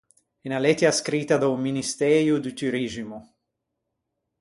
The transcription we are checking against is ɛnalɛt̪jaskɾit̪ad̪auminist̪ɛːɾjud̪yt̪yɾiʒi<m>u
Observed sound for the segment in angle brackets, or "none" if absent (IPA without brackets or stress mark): m